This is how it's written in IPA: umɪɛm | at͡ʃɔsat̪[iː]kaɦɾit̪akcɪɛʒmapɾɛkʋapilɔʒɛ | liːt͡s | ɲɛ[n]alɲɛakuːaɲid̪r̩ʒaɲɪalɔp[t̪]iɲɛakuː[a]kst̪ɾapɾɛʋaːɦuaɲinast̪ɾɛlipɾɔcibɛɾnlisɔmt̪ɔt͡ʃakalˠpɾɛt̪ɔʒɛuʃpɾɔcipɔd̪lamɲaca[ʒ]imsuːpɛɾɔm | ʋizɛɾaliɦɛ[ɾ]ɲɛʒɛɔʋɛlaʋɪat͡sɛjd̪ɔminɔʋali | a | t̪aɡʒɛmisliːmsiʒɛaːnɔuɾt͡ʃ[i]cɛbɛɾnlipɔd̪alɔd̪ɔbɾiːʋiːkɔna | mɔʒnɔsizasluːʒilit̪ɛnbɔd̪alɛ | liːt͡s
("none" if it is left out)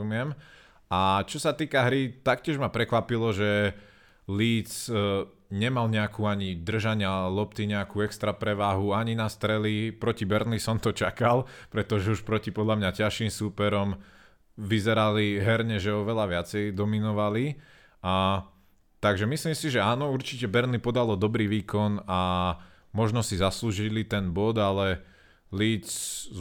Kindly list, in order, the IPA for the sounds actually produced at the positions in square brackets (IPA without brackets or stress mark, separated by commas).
iː, m, t̪, ɛ, ʃ, ɾ, i